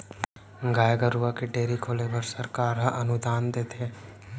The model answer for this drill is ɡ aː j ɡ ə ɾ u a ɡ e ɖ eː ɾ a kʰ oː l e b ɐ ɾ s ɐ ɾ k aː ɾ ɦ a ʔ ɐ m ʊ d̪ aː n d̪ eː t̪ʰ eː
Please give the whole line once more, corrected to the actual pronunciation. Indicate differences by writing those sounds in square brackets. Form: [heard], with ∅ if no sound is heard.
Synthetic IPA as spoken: ɡ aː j ɡ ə ɾ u a [k] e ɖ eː ɾ [i] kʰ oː l e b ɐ ɾ s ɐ ɾ k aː ɾ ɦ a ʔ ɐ [n] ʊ d̪ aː n d̪ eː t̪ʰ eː

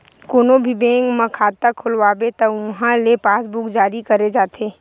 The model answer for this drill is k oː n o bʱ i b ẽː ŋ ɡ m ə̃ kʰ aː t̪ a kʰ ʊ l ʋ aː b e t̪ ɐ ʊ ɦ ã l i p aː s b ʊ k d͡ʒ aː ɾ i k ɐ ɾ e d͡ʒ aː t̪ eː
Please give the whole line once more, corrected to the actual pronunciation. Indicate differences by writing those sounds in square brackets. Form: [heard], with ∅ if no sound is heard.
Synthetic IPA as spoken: k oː n o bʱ i b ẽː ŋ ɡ m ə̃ kʰ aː t̪ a kʰ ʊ l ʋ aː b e t̪ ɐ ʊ ɦ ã l [e] p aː s b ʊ k d͡ʒ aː ɾ i k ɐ ɾ e d͡ʒ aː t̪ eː

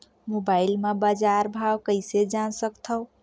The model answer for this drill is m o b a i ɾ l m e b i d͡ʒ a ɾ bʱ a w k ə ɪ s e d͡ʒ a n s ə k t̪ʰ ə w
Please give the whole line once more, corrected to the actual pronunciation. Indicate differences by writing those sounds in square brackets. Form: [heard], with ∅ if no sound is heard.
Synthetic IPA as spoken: m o b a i [∅] l m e b [a] d͡ʒ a ɾ bʱ a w k ə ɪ s e d͡ʒ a n s ə k t̪ʰ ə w

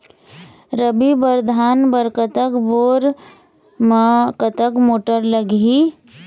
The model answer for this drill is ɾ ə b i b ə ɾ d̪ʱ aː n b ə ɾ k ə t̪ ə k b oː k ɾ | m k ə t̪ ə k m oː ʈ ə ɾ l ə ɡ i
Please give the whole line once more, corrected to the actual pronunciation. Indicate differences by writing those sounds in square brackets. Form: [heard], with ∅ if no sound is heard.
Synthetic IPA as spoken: ɾ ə b i b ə ɾ d̪ʱ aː n b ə ɾ k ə t̪ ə k b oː [∅] ɾ | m k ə t̪ ə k m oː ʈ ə ɾ l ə ɡ i

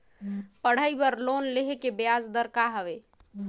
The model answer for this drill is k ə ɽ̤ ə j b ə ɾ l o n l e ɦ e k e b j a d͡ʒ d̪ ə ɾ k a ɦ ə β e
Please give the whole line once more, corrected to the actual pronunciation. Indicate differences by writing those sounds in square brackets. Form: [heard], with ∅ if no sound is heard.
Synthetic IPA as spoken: [p] ə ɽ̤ ə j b ə ɾ l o n l e ɦ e k e b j a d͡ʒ d̪ ə ɾ k a ɦ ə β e

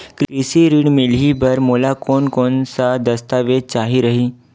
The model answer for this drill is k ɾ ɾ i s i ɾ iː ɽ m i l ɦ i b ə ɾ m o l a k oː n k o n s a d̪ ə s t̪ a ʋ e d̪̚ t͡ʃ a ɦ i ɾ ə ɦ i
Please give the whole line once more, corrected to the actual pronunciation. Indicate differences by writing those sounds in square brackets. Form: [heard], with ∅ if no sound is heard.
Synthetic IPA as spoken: k ɾ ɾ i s i ɾ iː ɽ m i l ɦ i b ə ɾ m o l a k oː n k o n s a d̪ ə s t̪ a ʋ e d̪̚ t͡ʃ a ɦ i ɾ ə ɦ i

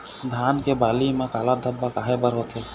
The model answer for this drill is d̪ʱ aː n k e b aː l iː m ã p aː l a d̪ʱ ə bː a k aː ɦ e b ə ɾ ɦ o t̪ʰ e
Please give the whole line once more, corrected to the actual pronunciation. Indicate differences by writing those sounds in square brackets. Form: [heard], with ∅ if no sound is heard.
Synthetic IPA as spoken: d̪ʱ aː n k e b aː l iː m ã [k] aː l a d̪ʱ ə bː a k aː ɦ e b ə ɾ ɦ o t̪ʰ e

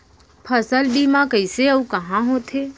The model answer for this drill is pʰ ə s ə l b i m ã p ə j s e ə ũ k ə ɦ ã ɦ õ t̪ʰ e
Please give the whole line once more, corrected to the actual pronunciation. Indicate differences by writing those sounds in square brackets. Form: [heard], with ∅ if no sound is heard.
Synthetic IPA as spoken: pʰ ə s ə l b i m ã [k] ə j s e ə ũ k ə ɦ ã ɦ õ t̪ʰ e

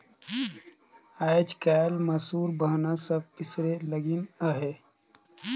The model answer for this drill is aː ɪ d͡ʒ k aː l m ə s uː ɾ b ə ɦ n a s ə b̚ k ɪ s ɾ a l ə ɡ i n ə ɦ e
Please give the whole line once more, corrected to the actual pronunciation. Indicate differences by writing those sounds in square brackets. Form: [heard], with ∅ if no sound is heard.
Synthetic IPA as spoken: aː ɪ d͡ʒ k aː l m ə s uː ɾ b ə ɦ n a s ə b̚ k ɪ s ɾ [e] l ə ɡ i n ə ɦ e

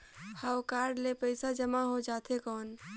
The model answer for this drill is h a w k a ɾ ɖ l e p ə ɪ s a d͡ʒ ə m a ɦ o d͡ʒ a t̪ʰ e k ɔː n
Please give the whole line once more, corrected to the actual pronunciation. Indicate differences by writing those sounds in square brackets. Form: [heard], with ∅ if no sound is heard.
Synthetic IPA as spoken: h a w k a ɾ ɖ l e p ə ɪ s a d͡ʒ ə m a ɦ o d͡ʒ a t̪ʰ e k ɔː n

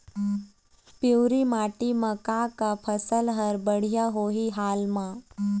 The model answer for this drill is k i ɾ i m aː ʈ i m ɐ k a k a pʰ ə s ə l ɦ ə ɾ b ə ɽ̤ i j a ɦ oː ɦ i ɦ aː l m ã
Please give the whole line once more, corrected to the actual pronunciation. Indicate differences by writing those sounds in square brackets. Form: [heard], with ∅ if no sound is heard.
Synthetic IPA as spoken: [p] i ɾ i m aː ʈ i m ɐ k a k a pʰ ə s ə l ɦ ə ɾ b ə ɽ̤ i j a ɦ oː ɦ i ɦ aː l m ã

